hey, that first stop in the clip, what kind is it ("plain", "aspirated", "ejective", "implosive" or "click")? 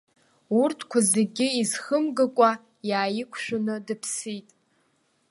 aspirated